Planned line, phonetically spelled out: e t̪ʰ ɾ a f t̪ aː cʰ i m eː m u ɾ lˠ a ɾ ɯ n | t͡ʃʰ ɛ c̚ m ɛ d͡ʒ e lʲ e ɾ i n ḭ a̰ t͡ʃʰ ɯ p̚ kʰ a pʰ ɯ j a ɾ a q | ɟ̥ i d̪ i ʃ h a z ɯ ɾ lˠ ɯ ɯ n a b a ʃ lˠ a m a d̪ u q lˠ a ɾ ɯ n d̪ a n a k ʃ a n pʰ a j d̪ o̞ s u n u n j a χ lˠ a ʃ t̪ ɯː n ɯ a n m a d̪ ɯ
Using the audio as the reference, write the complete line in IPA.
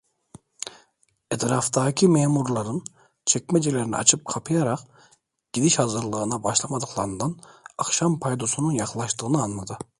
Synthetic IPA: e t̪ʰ ɾ a f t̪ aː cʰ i m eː m u ɾ lˠ a ɾ ɯ n | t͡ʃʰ ɛ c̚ m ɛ d͡ʒ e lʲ e ɾ i n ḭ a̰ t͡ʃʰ ɯ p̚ kʰ a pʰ ɯ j a ɾ a q | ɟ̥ i d̪ i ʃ h a z ɯ ɾ lˠ ɯ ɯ n a b a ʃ lˠ a m a d̪ ɯ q lˠ a ɾ ɯ n d̪ a n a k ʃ a m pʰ a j d̪ o̞ s u n u n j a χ lˠ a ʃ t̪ ɯː n ɯ a n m a d̪ ɯ